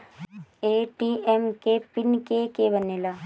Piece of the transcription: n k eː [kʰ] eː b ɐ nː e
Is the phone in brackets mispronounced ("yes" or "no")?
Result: yes